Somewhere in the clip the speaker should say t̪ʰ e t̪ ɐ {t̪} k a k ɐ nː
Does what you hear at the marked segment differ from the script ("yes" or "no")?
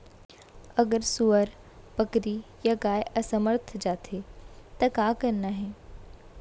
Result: yes